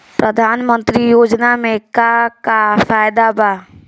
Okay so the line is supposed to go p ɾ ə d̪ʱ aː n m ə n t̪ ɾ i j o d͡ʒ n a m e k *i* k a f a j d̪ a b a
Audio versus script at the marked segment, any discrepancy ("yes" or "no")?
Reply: yes